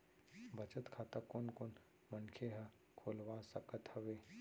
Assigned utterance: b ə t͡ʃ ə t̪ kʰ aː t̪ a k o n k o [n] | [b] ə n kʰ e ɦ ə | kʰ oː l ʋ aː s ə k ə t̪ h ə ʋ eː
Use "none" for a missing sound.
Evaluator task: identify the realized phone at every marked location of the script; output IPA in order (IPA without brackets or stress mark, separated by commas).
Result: n, m